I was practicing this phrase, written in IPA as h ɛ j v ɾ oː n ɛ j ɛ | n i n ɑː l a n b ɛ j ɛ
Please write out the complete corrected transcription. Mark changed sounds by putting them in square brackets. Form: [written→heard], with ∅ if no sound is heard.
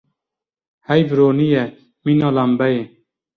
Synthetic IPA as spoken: h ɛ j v ɾ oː n [ɛ→i] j ɛ | [n→m] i n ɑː l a [n→m] b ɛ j [ɛ→e]